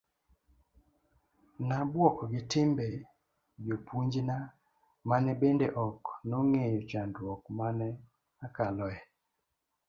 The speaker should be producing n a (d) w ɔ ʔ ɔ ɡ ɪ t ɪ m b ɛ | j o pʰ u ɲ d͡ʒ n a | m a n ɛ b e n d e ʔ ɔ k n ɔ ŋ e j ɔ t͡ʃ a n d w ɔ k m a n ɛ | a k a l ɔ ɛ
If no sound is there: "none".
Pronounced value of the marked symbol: b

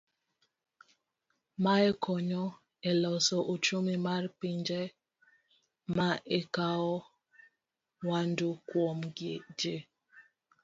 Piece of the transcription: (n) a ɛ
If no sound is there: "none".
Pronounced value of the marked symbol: m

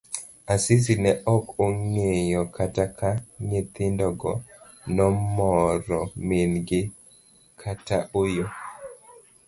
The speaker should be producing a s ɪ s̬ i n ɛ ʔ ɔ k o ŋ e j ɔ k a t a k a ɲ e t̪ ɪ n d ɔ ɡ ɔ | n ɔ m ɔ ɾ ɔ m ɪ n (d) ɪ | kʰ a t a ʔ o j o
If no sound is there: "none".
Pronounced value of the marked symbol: ɡ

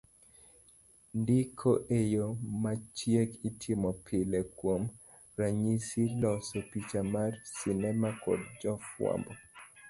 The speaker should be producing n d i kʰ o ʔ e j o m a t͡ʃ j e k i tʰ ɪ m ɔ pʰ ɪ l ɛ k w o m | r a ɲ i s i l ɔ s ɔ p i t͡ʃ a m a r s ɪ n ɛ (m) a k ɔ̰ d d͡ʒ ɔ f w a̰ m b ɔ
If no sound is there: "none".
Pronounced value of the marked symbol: m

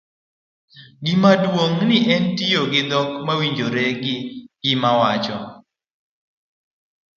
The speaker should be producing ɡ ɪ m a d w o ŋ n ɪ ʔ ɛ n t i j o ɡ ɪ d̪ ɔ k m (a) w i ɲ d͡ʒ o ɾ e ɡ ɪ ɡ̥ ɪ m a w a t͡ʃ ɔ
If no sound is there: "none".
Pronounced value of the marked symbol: a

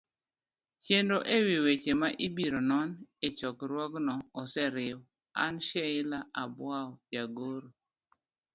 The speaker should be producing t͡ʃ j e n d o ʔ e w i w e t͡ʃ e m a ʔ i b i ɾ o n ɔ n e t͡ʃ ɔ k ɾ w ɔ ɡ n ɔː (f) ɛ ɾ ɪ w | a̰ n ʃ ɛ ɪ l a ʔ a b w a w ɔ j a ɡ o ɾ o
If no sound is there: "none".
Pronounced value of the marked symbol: s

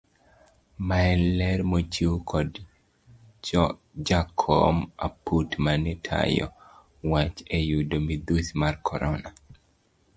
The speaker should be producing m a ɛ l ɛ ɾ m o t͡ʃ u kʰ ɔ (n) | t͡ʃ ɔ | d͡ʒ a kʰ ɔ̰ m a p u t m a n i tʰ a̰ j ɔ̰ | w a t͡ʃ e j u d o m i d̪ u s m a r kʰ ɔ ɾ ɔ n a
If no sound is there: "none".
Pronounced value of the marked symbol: d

